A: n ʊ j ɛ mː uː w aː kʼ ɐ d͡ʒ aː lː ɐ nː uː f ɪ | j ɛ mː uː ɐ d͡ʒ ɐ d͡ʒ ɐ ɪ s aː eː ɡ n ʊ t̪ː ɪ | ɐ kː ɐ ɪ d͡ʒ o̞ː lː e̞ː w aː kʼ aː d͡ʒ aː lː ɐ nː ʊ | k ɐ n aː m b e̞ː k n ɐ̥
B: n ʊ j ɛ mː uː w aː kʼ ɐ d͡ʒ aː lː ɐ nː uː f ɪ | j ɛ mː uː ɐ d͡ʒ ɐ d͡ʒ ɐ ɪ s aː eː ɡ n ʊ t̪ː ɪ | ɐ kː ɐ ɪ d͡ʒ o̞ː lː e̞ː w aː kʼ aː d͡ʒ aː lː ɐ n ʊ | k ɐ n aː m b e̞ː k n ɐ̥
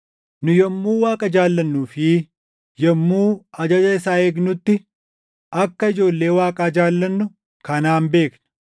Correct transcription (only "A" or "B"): A